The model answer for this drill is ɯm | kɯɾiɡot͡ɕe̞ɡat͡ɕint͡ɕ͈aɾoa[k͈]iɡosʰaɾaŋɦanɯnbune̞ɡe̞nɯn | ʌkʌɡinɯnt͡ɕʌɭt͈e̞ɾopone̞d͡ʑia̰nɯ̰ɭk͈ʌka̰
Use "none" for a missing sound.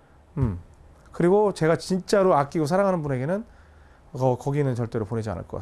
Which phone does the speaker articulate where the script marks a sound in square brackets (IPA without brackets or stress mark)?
k͈